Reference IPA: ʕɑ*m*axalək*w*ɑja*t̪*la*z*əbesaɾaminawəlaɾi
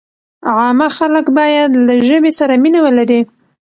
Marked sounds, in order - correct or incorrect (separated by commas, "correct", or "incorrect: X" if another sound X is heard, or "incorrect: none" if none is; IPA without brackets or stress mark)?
correct, incorrect: b, incorrect: d̪, incorrect: ʒ